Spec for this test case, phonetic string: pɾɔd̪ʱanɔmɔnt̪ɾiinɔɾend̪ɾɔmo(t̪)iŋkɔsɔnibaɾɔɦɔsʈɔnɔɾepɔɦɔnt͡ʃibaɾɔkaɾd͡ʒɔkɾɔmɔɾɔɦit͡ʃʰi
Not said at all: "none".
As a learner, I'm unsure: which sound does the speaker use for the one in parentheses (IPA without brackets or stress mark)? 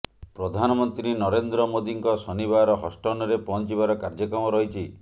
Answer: d̪